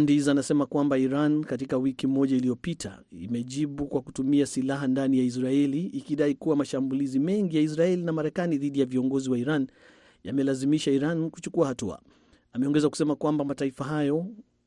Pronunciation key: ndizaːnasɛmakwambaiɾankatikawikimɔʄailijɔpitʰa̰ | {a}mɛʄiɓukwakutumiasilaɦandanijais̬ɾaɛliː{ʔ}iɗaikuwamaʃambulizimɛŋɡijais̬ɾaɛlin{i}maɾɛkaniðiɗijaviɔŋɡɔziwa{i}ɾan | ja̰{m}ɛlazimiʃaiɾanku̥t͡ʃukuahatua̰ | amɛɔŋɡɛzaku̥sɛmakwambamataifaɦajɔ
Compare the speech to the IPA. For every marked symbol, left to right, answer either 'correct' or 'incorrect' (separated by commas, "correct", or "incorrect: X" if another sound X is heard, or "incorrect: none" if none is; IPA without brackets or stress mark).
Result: incorrect: i, incorrect: k, incorrect: a, correct, correct